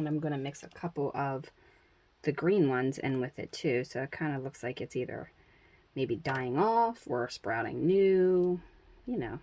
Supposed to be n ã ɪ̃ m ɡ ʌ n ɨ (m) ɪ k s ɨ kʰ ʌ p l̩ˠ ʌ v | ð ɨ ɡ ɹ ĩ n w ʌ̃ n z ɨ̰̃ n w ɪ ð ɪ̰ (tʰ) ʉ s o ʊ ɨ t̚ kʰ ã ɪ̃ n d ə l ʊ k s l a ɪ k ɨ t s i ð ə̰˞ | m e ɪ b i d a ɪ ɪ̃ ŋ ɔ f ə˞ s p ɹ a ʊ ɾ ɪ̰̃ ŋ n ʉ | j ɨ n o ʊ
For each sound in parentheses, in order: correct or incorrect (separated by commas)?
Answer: correct, correct